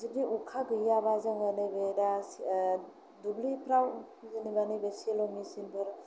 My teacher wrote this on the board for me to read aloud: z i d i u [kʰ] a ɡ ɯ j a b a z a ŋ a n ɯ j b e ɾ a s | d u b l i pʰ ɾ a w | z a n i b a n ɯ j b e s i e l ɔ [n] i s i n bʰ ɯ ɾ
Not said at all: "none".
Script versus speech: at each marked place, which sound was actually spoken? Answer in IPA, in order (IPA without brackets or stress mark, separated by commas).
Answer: kʰ, m